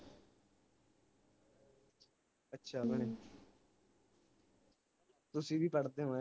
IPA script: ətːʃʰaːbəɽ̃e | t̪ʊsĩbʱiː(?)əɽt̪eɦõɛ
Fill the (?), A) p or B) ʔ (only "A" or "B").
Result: A